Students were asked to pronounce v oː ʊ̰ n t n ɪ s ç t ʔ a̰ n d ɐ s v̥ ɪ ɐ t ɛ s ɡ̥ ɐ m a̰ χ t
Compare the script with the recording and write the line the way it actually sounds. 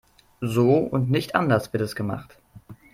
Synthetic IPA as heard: z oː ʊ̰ n t n ɪ ç t ʔ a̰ n d ɐ s v̥ ɪ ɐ t ɛ s ɡ̥ ə m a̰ χ t